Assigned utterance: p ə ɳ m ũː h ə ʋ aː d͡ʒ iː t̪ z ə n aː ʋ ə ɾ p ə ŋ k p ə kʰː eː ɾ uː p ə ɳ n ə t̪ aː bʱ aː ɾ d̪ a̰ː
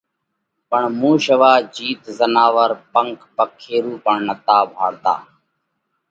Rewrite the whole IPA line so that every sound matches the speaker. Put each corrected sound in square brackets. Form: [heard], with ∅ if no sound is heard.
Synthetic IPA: p ə ɳ m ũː [ʃ] ə ʋ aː d͡ʒ iː t̪ z ə n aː ʋ ə ɾ p ə ŋ k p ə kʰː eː ɾ uː p ə ɳ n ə t̪ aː bʱ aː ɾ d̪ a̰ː

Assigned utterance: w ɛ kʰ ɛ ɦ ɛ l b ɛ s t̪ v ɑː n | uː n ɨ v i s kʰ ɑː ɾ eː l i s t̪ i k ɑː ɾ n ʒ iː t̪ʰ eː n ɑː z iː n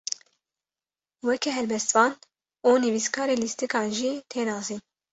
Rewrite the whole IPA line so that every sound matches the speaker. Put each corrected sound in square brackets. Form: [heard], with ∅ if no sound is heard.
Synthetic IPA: w ɛ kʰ ɛ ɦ ɛ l b ɛ s t̪ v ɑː n | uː n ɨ v i s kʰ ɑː ɾ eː l i s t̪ i k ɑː [∅] n ʒ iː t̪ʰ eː n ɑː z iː n

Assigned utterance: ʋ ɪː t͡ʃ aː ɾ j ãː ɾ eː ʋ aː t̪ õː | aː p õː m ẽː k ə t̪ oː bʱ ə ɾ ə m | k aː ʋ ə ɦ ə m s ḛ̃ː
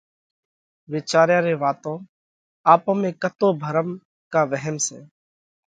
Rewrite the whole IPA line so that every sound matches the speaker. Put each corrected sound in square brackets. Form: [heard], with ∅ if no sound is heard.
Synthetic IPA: ʋ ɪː t͡ʃ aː ɾ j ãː ɾ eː ʋ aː t̪ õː | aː p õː m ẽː k ə t̪ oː bʱ ə ɾ ə m | k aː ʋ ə ɦ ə m s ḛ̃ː

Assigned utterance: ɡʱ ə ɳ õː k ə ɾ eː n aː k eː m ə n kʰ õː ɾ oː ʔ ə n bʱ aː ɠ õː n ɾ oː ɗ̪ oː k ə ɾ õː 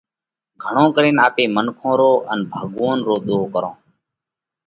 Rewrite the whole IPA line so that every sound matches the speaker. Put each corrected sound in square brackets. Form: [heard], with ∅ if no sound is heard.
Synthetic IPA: ɡʱ ə ɳ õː k ə ɾ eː n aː [p] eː m ə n kʰ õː ɾ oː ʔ ə n bʱ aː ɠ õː n ɾ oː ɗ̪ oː k ə ɾ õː

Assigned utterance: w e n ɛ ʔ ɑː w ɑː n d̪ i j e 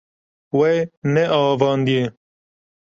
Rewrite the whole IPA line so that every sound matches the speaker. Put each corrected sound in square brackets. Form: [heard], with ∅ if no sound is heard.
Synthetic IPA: w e n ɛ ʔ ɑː [v] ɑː n d̪ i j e

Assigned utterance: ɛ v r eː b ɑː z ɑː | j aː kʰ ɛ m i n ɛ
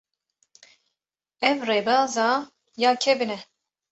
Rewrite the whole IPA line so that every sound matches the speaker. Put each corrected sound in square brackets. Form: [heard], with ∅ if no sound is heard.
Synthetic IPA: ɛ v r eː b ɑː z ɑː | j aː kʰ ɛ [b] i n ɛ

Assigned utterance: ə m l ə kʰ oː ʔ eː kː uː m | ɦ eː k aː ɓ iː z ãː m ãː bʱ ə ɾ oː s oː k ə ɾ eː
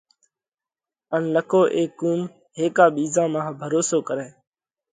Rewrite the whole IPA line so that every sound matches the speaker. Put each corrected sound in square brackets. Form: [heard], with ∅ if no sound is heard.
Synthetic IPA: ə [n] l ə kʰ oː ʔ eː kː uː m | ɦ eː k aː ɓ iː z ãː m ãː bʱ ə ɾ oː s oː k ə ɾ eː

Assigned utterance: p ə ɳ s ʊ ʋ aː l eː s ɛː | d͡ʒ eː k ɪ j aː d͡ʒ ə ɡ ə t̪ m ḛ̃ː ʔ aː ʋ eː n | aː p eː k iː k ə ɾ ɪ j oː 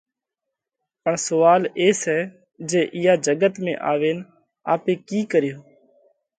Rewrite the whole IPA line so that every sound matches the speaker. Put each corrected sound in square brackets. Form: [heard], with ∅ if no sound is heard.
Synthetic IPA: p ə ɳ s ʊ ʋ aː l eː s ɛː | d͡ʒ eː [ʔ] ɪ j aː d͡ʒ ə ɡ ə t̪ m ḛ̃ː ʔ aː ʋ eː n | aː p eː k iː k ə ɾ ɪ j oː

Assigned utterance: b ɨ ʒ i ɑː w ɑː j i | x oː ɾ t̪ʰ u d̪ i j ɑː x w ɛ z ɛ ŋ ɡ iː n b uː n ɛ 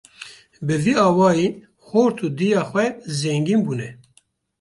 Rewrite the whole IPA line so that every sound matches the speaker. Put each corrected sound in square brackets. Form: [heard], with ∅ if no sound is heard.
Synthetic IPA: b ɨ [v] i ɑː w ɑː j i | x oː ɾ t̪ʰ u d̪ i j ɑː x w ɛ z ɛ ŋ ɡ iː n b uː n ɛ

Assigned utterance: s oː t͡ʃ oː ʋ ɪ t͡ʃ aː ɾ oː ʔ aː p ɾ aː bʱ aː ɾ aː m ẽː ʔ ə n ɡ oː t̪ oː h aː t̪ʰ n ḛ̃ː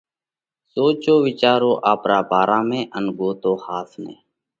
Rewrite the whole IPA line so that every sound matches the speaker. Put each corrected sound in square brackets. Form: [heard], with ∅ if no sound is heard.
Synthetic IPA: s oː t͡ʃ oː ʋ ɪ t͡ʃ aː ɾ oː ʔ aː p ɾ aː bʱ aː ɾ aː m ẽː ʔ ə n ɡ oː t̪ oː h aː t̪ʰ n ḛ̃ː

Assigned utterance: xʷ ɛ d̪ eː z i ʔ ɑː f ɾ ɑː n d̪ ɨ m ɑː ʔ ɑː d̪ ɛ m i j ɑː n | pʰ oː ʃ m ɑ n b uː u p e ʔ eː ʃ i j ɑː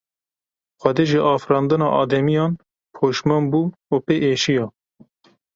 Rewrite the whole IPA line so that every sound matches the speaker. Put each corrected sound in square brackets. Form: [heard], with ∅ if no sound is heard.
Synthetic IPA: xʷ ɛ d̪ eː [ʒ] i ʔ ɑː f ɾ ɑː n d̪ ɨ [n] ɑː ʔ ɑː d̪ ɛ m i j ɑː n | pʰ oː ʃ m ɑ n b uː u p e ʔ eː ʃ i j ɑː

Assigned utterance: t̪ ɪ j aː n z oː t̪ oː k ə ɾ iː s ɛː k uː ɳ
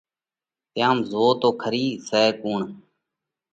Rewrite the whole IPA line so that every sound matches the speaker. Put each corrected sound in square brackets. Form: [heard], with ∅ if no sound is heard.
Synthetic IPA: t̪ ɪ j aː [m] z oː t̪ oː [kʰ] ə ɾ iː s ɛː k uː ɳ

